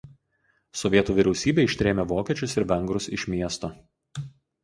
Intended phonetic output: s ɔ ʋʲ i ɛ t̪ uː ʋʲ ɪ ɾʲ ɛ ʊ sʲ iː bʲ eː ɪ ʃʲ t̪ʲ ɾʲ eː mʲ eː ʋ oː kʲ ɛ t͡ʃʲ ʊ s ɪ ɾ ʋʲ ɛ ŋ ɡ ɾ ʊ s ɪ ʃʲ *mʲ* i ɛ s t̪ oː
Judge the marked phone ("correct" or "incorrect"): correct